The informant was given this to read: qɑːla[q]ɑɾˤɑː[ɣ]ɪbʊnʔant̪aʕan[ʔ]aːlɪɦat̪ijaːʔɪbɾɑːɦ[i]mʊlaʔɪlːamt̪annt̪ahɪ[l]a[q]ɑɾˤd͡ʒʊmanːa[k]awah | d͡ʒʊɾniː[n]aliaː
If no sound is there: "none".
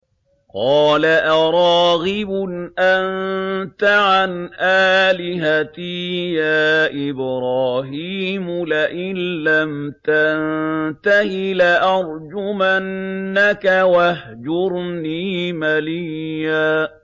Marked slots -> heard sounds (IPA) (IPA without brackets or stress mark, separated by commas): ʔ, ɣ, ʔ, iː, l, ʔ, k, m